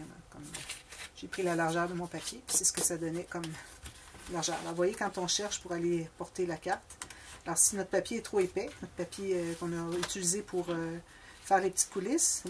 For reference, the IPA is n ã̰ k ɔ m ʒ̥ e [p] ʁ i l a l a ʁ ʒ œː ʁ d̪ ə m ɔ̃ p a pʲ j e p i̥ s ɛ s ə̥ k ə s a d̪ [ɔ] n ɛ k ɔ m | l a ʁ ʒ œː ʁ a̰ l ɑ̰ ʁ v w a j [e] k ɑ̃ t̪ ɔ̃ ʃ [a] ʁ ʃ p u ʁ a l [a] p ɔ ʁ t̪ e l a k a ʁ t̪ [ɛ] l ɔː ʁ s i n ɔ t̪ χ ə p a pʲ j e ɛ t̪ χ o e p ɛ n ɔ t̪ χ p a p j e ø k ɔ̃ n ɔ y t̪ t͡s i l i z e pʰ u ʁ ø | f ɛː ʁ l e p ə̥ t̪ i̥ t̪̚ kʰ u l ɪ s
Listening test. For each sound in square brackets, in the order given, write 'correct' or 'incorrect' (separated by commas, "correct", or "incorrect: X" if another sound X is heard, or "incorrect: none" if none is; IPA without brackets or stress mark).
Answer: correct, correct, correct, incorrect: ɛ, incorrect: e, incorrect: a